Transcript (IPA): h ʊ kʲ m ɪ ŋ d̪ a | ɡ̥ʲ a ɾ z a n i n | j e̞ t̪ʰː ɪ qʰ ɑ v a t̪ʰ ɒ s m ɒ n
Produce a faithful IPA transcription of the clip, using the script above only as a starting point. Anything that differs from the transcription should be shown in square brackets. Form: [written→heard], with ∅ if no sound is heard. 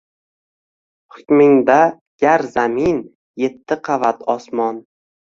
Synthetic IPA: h ʊ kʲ m ɪ ŋ d̪ a | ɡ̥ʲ a ɾ z a [n→m] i n | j e̞ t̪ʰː ɪ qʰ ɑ v a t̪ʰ ɒ s m ɒ n